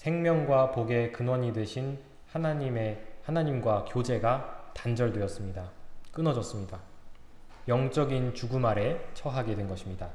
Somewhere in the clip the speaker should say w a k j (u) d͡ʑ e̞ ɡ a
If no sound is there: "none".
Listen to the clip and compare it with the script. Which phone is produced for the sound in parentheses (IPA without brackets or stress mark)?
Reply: o